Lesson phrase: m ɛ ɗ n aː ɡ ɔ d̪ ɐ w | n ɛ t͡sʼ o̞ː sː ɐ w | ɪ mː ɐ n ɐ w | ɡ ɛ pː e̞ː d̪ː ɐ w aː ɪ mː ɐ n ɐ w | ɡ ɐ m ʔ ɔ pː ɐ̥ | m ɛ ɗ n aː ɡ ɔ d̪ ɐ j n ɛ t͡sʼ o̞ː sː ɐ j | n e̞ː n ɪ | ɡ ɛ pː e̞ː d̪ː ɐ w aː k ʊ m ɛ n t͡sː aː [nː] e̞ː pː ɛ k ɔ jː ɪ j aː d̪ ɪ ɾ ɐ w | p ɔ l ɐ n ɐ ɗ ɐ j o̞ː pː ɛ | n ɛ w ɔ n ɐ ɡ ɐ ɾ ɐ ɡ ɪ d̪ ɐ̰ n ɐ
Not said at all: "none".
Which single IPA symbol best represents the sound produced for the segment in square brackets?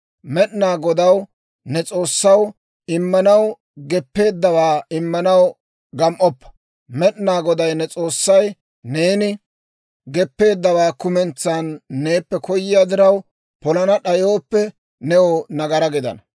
nː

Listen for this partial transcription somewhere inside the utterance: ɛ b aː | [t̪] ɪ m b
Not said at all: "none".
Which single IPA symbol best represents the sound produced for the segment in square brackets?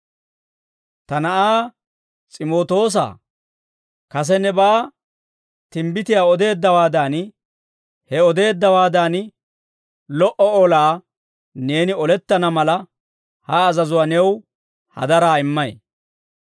t̪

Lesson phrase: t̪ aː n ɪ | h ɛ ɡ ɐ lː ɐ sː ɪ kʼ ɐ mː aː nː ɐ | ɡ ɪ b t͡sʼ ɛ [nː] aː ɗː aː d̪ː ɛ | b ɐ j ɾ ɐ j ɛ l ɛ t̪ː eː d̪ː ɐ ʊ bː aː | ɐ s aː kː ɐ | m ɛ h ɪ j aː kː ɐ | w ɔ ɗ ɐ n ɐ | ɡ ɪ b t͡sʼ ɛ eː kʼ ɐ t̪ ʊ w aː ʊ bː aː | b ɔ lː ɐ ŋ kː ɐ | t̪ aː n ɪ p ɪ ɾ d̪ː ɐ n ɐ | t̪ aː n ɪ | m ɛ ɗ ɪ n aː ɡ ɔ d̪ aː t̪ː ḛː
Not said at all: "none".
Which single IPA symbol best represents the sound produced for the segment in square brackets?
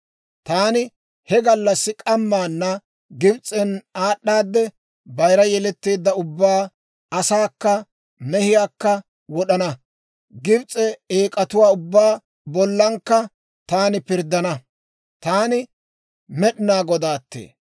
n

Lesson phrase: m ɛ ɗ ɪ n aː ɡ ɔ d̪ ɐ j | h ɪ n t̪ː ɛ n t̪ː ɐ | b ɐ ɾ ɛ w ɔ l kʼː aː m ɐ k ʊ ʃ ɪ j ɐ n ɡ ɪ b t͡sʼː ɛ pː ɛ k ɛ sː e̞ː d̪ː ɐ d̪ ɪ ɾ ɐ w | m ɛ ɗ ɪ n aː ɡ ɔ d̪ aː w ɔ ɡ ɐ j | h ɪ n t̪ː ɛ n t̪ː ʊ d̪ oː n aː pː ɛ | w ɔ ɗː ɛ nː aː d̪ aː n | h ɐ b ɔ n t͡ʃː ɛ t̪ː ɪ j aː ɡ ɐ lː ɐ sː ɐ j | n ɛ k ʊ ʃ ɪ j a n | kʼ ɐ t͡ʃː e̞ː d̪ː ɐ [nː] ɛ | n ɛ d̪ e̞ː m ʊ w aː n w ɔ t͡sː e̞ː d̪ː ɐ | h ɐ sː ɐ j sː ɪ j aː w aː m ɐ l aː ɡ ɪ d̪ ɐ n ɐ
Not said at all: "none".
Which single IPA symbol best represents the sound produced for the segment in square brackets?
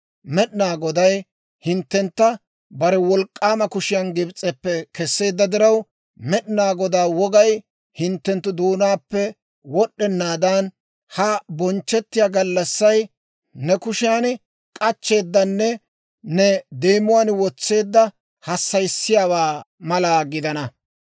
nː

